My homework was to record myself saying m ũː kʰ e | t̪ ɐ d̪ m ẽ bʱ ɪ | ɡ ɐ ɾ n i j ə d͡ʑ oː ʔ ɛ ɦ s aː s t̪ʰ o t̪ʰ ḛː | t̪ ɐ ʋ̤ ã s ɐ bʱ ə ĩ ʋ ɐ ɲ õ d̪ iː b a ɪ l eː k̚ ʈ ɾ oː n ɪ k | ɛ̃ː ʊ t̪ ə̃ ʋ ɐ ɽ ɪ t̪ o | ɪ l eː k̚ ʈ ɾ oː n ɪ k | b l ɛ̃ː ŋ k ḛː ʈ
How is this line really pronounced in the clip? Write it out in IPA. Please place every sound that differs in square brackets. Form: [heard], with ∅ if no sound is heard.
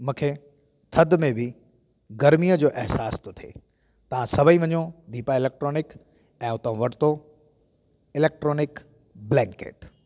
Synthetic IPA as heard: m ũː kʰ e | [t̪ʰ] ɐ d̪ m ẽ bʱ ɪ | ɡ ɐ ɾ [m] i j ə d͡ʑ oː ʔ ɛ ɦ s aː s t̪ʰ o t̪ʰ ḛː | t̪ ɐ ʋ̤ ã s ɐ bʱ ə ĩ ʋ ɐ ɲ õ d̪ iː [p] a ɪ l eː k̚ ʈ ɾ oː n ɪ k | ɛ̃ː ʊ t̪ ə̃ ʋ ɐ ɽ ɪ t̪ o | ɪ l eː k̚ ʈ ɾ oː n ɪ k | b l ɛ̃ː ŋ k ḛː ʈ